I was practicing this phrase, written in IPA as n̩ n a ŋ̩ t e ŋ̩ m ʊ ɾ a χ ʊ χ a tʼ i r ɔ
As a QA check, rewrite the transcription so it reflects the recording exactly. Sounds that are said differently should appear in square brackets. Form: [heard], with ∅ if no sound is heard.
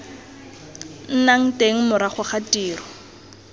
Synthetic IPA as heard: n̩ n a ŋ̩ t e ŋ̩ m ʊ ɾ a χ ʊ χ a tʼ [iː] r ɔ